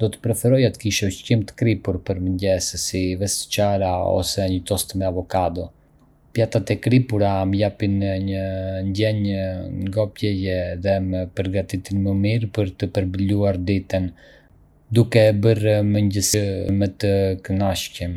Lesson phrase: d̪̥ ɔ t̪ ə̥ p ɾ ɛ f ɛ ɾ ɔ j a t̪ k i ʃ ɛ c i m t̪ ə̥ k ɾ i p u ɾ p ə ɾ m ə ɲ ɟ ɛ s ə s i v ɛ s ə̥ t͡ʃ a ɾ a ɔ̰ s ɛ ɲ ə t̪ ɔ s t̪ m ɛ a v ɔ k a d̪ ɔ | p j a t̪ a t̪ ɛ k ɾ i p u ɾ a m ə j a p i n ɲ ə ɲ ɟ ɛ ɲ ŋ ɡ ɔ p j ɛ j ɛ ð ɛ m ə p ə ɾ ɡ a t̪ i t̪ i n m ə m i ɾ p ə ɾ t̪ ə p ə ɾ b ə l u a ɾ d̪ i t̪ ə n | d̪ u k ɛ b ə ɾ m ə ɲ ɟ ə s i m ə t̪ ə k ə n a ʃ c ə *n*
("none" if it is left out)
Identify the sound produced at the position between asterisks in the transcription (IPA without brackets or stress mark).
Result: m